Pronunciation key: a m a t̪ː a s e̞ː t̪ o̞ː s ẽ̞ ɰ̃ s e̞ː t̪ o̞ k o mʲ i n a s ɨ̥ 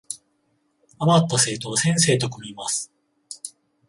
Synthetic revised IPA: a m a t̪ː a s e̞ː t̪ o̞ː s ẽ̞ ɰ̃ s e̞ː t̪ o̞ k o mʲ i m a s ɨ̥